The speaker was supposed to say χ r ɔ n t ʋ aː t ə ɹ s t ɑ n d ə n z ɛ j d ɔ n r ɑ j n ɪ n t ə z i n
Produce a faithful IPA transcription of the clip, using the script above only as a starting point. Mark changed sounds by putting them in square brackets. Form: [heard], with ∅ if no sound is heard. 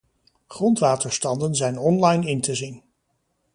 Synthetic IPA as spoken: χ r ɔ n t ʋ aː t ə ɹ s t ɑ n d ə n z ɛ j [n] ɔ n [l] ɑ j n ɪ n t ə z i n